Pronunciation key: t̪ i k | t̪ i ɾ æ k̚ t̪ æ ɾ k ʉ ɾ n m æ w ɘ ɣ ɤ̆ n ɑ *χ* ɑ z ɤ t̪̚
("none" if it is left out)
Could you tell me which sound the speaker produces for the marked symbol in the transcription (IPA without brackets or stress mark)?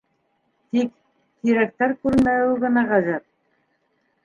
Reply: ʁ